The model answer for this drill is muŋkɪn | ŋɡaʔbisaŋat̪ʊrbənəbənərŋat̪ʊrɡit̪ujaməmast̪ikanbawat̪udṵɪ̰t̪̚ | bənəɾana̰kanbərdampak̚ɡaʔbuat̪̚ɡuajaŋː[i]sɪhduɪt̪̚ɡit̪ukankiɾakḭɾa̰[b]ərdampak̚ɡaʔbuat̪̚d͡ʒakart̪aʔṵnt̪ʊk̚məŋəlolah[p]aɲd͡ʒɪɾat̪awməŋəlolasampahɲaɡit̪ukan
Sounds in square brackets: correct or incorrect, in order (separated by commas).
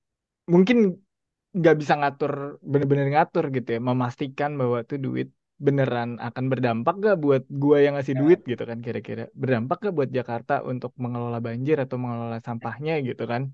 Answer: incorrect, correct, incorrect